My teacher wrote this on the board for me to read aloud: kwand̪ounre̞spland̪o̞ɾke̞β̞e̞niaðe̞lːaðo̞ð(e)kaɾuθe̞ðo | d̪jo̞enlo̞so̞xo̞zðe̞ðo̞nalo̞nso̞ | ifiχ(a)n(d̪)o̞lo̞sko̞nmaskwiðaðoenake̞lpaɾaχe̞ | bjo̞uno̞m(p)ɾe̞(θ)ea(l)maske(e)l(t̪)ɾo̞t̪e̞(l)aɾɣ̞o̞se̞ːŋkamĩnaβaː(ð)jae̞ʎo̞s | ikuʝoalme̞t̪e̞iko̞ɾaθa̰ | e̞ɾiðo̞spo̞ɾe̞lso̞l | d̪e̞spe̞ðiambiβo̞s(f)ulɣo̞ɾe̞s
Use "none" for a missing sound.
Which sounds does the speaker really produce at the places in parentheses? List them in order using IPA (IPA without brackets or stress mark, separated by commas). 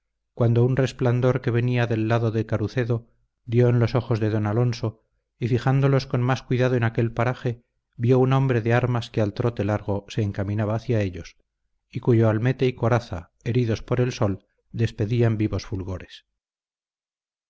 e, a, d̪, b, ð, ɾ, a, t̪, l, θ, f